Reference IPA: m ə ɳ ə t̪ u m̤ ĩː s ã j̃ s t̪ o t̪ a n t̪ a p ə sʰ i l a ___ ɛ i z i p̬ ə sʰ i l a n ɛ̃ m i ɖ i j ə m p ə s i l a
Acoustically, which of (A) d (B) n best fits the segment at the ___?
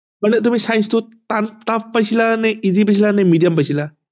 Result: B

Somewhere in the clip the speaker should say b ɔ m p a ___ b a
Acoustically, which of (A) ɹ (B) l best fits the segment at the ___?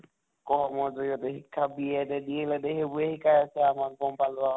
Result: B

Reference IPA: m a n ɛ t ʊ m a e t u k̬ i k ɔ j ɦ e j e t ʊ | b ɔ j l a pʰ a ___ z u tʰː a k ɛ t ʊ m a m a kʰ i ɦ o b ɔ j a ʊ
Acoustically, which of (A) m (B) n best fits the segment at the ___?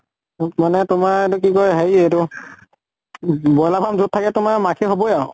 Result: A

